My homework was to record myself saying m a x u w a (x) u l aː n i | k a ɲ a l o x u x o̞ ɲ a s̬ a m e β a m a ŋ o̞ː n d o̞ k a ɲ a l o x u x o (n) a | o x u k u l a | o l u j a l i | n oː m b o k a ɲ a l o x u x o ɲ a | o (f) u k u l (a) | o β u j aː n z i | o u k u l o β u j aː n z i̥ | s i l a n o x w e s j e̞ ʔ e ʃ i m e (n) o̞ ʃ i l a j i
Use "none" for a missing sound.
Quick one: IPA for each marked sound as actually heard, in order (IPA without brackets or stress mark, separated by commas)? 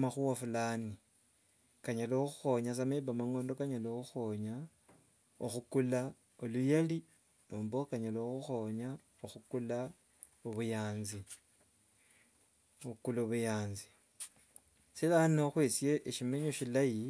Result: f, ɲ, x, a, ɲ